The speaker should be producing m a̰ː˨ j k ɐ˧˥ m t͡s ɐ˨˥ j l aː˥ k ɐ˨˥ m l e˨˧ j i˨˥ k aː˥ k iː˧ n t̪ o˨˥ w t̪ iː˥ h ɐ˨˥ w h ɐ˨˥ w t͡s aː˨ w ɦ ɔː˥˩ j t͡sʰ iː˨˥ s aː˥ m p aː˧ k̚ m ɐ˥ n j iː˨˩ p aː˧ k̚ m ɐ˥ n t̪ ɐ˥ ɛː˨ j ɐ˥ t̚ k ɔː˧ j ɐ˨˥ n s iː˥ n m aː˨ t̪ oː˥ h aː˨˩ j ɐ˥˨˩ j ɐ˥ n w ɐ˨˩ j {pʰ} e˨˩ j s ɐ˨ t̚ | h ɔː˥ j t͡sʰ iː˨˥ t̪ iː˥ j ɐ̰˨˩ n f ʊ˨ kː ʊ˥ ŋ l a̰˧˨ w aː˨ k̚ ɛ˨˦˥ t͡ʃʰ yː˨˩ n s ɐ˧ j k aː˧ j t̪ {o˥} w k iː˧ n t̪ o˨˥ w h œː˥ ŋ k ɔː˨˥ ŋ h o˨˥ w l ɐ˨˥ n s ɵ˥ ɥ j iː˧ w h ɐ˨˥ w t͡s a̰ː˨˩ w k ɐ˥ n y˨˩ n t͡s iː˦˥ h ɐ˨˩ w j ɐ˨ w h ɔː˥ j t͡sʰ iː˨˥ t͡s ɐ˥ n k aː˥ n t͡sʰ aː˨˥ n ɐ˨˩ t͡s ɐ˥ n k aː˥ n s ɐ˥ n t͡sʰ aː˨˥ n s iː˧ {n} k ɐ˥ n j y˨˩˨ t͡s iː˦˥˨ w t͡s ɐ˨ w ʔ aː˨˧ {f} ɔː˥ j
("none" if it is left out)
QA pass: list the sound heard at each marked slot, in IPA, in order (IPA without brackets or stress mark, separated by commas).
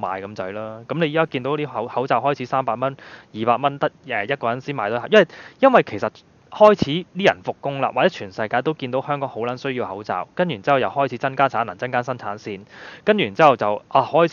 kʰ, o˥, n, h